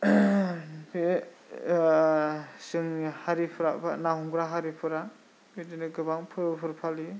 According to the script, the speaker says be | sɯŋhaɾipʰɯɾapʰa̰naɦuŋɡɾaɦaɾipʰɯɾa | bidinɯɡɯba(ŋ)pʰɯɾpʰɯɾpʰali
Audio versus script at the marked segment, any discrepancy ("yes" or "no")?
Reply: no